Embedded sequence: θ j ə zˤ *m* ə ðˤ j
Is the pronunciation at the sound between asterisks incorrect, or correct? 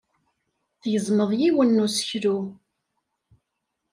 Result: correct